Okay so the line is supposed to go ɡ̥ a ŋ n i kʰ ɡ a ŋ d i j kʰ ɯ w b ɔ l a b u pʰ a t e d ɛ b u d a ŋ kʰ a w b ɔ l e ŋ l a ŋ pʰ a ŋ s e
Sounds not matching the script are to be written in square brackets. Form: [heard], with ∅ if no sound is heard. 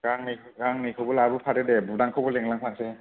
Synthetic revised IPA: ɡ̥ a ŋ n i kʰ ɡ a ŋ [n] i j kʰ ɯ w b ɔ l a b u pʰ a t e d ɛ b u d a ŋ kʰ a w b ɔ l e ŋ l a ŋ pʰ a ŋ s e

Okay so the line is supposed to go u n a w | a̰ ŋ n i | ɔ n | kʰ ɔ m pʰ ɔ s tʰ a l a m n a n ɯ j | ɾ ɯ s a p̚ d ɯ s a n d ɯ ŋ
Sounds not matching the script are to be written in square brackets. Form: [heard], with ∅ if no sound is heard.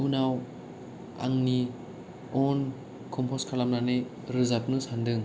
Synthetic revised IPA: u n a w | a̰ ŋ n i | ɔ n | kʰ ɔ m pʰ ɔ s [kʰ] a l a m n a n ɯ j | ɾ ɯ [z] a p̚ [n] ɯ s a n d ɯ ŋ

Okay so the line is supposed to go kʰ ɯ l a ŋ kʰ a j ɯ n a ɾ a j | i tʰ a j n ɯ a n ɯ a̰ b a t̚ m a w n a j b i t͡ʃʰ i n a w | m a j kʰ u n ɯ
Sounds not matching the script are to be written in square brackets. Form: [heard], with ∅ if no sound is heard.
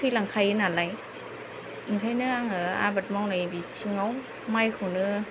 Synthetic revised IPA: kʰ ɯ l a ŋ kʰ a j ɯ n a [l] a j | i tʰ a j n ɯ a [ŋ] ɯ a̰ b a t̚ m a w n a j b i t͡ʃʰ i [ŋ] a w | m a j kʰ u n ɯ

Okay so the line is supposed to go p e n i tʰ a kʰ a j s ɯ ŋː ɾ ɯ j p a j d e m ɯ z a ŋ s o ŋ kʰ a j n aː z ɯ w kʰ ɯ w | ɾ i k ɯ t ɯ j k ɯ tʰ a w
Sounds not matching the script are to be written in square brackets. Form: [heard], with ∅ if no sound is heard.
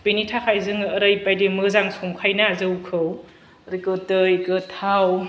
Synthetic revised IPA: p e n i tʰ a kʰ a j [z] ɯ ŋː ɾ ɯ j p a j d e m ɯ z a ŋ s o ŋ kʰ a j n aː z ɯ w kʰ ɯ w | ɾ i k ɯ t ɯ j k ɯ tʰ a w

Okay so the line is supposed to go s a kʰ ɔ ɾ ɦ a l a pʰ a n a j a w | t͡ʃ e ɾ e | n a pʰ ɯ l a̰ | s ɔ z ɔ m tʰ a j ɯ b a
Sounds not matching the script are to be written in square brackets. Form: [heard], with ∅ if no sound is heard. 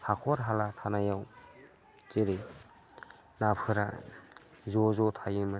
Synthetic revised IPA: [h] a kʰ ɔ ɾ ɦ a l a [tʰ] a n a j a w | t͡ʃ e ɾ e | n a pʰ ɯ [ɾ] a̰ | [z] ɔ z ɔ [∅] tʰ a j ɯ [m] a

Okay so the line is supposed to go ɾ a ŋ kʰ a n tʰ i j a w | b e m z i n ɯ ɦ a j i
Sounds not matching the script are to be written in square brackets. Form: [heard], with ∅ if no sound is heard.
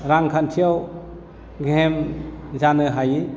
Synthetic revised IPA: ɾ a ŋ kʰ a n tʰ i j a w | [ɡ] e m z [a] n ɯ ɦ a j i

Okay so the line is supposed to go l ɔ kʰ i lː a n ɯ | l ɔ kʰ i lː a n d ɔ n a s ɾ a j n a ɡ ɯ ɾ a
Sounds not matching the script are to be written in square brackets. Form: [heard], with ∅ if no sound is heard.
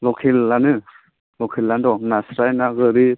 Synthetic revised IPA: l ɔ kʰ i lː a n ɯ | l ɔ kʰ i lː a n d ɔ n a s ɾ a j n a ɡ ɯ ɾ [i]

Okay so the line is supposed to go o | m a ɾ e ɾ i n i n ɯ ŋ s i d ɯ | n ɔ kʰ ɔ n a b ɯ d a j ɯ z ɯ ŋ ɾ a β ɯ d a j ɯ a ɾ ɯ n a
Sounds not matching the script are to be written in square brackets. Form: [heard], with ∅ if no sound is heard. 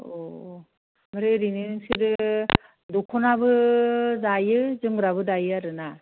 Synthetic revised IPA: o | m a ɾ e ɾ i n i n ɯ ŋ s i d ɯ | [d] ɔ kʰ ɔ n a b ɯ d a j ɯ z ɯ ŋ ɾ a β ɯ d a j ɯ a ɾ ɯ n a

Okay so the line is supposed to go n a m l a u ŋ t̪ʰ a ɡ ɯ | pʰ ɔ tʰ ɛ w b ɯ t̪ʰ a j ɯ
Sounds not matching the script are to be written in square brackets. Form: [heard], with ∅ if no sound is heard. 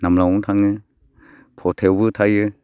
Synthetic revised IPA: n a m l a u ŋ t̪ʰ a [ŋ] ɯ | pʰ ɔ tʰ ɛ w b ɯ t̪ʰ a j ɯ

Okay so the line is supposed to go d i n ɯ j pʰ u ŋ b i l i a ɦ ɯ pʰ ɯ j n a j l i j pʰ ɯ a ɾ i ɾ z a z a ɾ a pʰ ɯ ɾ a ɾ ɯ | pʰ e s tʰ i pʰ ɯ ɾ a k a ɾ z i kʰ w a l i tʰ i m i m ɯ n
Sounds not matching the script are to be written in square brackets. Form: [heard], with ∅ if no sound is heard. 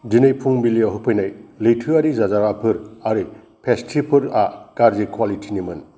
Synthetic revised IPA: d i n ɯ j pʰ u ŋ b i l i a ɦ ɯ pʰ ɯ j n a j l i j [tʰ] ɯ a ɾ i [∅] z a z a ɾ a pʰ ɯ ɾ a ɾ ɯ | pʰ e s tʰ i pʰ ɯ ɾ a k a ɾ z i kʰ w a l i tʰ i [n] i m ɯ n

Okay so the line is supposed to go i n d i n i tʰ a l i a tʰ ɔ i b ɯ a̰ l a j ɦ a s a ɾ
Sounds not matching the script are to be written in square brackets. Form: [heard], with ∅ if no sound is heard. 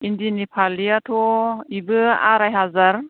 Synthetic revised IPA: i n d i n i [pʰ] a l i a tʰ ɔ i b ɯ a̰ [ɾ] a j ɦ a [z] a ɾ

